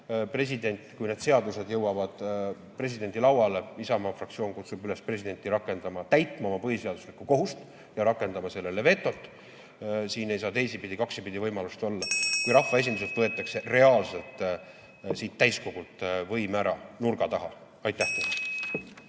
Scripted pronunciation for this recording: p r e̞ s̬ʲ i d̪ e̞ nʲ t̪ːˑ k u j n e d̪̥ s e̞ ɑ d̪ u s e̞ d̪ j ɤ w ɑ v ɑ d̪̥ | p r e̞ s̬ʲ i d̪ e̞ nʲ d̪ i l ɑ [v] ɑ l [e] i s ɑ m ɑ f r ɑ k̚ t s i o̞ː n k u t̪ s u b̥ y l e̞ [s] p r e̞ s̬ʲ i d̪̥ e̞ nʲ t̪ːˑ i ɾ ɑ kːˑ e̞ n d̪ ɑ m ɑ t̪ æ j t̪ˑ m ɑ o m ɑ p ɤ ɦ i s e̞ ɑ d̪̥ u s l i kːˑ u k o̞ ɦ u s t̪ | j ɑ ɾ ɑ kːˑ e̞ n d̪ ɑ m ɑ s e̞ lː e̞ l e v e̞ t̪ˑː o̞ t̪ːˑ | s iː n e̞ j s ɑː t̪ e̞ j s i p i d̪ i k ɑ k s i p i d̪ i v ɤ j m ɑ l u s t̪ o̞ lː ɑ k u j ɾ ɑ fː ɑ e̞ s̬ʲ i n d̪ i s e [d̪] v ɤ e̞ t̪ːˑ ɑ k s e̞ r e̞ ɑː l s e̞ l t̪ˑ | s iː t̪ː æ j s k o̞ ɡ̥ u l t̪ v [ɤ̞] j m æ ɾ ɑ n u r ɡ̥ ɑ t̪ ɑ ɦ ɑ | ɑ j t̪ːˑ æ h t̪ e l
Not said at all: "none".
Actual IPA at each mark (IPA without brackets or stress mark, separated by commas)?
w, e, s, t̪, ɤ̞